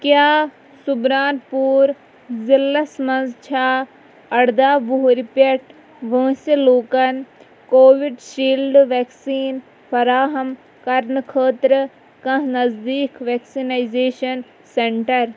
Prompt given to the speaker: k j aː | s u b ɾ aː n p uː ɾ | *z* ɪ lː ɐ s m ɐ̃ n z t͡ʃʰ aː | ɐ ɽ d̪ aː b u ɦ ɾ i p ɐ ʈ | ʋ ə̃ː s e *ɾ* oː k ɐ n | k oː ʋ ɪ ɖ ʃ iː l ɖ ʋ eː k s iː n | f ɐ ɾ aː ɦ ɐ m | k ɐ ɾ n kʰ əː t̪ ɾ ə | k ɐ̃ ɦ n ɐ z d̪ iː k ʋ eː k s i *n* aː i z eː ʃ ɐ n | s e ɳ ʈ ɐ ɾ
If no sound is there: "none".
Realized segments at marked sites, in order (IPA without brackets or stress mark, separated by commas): z, l, n